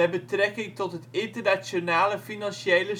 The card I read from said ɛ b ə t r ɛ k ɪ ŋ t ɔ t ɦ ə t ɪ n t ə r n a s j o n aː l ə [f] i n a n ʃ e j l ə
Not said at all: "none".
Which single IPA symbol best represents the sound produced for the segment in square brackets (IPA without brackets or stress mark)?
f